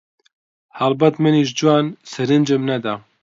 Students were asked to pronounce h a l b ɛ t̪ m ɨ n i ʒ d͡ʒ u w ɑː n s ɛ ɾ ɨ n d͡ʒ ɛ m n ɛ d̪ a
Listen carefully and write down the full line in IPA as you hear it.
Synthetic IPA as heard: h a l b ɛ t̪ m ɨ n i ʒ d͡ʒ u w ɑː n s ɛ ɾ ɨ n d͡ʒ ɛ m n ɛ d̪ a